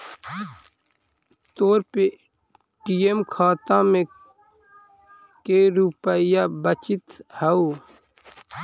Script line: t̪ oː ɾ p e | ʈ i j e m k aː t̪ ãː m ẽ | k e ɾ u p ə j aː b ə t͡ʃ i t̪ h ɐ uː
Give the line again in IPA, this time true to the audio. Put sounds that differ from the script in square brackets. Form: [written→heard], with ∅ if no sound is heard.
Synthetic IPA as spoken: t̪ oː ɾ p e | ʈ i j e m [k→kʰ] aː t̪ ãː m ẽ | k e ɾ u p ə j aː b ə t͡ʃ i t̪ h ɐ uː